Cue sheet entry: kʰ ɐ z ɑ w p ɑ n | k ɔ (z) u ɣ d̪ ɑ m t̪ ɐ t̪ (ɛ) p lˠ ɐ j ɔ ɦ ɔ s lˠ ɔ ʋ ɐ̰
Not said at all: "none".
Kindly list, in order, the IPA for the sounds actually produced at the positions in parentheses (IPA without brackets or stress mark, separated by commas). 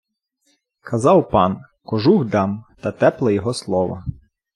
ʒ, ɛ